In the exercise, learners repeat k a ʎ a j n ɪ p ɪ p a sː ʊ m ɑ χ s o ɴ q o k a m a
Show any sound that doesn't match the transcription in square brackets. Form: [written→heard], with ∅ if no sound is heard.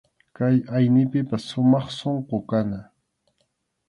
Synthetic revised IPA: k a [ʎ→j] a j n ɪ p ɪ p a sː ʊ m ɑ χ s o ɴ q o k a [m→n] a